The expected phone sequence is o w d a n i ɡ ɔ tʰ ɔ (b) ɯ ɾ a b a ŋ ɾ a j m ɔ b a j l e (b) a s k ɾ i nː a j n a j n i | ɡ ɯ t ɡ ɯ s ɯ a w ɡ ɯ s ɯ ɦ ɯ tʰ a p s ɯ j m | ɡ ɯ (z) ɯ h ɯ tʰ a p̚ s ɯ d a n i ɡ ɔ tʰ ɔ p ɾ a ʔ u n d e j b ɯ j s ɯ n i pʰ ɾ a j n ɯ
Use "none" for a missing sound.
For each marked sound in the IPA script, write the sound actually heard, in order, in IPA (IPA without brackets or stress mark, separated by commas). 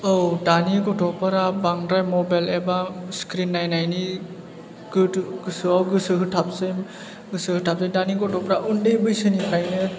p, b, s